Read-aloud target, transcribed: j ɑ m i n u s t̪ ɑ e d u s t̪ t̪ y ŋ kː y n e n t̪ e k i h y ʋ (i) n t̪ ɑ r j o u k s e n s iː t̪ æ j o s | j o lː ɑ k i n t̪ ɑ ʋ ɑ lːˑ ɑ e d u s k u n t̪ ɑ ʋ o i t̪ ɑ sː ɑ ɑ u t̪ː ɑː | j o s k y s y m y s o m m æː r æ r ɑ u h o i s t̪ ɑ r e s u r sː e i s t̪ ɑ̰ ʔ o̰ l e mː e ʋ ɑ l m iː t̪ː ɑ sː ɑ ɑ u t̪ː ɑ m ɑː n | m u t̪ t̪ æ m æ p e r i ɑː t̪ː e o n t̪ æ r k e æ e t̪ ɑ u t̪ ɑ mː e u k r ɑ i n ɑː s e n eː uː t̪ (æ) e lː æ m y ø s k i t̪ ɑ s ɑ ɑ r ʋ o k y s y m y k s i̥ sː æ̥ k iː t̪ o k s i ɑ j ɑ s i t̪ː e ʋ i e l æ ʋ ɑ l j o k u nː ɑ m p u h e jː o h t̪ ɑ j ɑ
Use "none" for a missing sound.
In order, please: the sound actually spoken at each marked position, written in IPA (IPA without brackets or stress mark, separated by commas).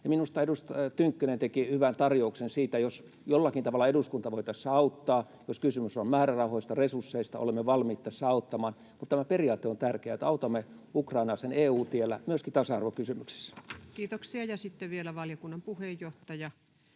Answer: æ, i